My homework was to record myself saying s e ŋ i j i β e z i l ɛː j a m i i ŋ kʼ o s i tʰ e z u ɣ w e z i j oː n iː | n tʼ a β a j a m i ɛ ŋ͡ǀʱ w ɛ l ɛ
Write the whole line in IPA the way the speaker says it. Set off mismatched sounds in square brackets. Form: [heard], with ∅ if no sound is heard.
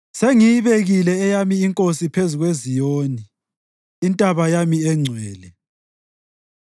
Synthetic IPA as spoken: s e ŋ i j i β e [ɣ] i l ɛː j a m i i ŋ kʼ o s i [pʰ] e z u ɣ w e z i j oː n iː | n tʼ a β a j a m i ɛ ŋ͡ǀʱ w [ɛː] l ɛ